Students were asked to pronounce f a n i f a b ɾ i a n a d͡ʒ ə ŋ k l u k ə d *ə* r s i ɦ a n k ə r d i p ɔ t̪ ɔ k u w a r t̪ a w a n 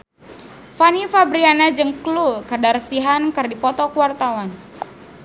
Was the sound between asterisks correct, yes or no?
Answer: no